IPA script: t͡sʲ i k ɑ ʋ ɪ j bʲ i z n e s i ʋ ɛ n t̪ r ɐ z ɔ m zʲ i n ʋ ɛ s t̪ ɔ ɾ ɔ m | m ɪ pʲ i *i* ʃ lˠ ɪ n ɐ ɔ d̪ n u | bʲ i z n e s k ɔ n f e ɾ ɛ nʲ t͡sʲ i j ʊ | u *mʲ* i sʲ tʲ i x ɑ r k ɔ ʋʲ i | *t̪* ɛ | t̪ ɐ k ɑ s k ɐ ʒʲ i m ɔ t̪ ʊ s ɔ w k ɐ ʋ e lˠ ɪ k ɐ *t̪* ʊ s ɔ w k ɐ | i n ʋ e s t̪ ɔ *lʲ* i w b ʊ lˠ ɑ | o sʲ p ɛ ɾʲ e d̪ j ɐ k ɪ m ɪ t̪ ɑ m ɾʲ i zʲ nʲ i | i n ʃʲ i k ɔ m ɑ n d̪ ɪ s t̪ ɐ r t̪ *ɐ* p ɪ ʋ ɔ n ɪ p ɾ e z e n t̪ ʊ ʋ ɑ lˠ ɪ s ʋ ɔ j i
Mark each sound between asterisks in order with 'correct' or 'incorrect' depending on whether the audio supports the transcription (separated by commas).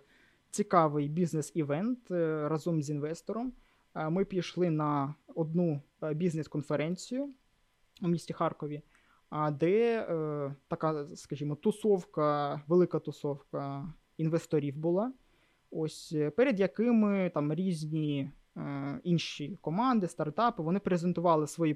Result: incorrect, correct, incorrect, correct, incorrect, incorrect